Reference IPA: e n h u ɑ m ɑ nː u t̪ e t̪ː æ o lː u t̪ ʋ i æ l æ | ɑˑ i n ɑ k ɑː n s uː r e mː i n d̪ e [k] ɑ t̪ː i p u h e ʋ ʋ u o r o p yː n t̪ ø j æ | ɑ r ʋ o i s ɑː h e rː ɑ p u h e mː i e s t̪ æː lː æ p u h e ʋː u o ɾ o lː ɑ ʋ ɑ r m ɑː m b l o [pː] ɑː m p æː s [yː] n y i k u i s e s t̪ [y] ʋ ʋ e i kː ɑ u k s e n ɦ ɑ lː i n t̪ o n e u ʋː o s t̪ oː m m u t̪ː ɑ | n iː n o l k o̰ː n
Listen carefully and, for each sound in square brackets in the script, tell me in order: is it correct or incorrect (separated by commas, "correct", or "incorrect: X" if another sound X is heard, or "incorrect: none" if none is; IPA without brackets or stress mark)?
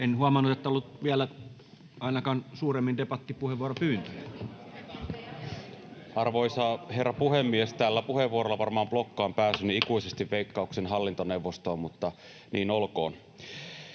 incorrect: p, incorrect: kː, incorrect: y, incorrect: i